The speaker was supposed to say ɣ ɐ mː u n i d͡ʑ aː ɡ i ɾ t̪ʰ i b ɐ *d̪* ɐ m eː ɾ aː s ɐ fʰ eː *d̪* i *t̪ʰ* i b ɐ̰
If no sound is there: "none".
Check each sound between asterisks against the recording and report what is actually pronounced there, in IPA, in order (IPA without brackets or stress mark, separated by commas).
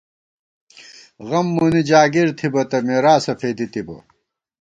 t̪, d̪, t̪